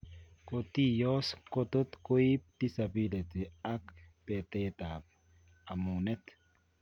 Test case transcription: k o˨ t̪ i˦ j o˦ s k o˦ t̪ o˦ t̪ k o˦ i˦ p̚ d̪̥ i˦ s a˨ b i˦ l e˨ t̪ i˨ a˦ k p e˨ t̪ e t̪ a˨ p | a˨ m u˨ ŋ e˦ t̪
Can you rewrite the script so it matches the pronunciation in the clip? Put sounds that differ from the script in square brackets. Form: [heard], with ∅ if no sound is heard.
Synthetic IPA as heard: k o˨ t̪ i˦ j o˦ s k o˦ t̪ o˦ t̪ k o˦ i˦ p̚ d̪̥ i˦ s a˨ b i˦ l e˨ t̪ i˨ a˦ k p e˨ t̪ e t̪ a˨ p | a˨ m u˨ [n] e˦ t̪